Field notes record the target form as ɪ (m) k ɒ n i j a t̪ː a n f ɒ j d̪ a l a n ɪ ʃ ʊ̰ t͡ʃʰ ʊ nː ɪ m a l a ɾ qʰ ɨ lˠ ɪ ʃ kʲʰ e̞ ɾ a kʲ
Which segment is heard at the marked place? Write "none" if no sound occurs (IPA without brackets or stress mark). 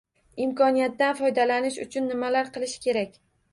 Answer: m